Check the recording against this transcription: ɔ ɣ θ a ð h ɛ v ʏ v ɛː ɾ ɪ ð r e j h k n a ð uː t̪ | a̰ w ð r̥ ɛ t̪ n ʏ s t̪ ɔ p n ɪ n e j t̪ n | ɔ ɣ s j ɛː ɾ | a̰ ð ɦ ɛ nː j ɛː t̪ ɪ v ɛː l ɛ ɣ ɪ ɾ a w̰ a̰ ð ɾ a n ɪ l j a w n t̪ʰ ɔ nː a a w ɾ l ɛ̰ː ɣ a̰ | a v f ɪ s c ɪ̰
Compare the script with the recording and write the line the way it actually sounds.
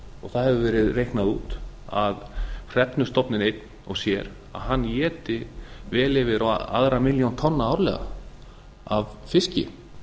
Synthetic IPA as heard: ɔ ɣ θ a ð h ɛ v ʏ v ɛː ɾ ɪ ð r e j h k n a ð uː t̪ | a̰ ð r̥ ɛ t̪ n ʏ s t̪ ɔ p n ɪ n e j t̪ n | ɔ ɣ s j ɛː ɾ | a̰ ð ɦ a nː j ɛː t̪ ɪ v ɛː l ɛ v ɪ ɾ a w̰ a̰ ð ɾ a m ɪ l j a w n t̪ʰ ɔ nː a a w ɾ l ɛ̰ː ɣ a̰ | a v f ɪ s c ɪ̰

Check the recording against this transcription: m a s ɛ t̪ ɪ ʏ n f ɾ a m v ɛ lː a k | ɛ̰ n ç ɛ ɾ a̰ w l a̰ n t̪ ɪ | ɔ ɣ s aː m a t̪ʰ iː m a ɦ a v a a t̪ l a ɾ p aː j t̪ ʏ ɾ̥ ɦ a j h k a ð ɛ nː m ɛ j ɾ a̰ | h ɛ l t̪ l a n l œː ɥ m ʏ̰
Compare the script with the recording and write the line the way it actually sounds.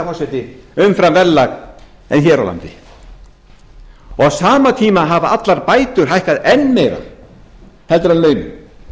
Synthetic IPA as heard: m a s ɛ t̪ ɪ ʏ m f ɾ a m v ɛ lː a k | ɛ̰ n ç ɛ ɾ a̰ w l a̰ n t̪ ɪ | ɔ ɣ s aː m a t̪ʰ iː m a ɦ a v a a t̪ l a ɾ p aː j t̪ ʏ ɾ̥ ɦ a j h k a ð ɛ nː m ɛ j ɾ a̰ | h ɛ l t̪ ɾ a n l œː ɥ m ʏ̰

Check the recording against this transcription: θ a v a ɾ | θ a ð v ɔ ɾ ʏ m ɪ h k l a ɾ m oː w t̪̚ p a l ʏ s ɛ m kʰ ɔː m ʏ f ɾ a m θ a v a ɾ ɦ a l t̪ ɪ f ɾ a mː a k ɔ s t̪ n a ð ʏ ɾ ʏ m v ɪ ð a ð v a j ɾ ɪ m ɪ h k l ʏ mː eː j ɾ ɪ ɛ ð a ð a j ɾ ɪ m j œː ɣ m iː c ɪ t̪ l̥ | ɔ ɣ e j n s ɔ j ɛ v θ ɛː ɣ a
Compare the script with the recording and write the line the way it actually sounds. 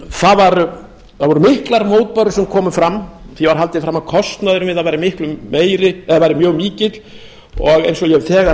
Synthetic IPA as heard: θ a v a ɾ | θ a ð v ɔ ɾ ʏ m ɪ h k l a ɾ m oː w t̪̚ p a ɾ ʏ s ɛ m kʰ ɔː m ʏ f ɾ a m θ i v a ɾ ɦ a l t̪ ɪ f ɾ a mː a kʰ ɔ s t̪ n a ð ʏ ɾ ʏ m v ɪ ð a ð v a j ɾ ɪ m ɪ h k l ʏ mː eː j ɾ ɪ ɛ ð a v a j ɾ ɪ m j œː ɣ m iː c ɪ t̪ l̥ | ɔ ɣ e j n s ɔ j ɛ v θ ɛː ɣ a

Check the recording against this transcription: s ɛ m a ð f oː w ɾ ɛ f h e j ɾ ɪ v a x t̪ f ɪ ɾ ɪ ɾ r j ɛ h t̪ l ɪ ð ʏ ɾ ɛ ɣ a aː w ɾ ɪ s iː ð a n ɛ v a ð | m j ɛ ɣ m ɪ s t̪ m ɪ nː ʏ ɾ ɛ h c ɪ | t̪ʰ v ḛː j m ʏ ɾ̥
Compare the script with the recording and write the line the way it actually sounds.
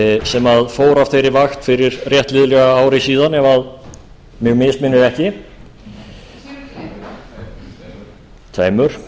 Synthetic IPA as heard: s ɛ m a ð f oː w ɾ a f θ e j ɾ ɪ v a x t̪ f ɪ ɾ ɪ ɾ r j ɛ h t̪ l ɪ ð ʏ l ɛ ɣ a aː w ɾ ɪ s iː ð a n ɛ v a ð | m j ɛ ɣ m ɪ s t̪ m ɪ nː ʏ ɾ ɛ h c ɪ | t̪ʰ v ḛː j m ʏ ɾ̥

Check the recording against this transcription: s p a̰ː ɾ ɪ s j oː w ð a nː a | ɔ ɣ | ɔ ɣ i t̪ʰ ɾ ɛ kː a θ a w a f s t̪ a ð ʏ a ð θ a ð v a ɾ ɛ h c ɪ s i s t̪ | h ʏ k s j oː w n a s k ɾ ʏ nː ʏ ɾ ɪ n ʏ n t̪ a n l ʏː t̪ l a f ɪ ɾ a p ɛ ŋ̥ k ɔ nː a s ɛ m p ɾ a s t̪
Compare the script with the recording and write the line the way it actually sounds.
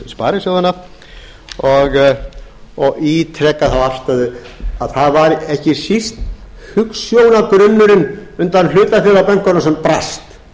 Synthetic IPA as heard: s p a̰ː ɾ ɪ s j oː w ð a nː a | ɔ ɣ | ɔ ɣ i t̪ʰ ɾ ɛ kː a θ a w a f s t̪ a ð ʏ a ð θ a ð v a ɾ ɛ h c ɪ s i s t̪ | h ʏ k s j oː w n a k ɾ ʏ nː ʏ ɾ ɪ n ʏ n t̪ a n l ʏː t̪ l a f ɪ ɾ a p ɛ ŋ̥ k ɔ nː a s ɛ m p ɾ a s t̪

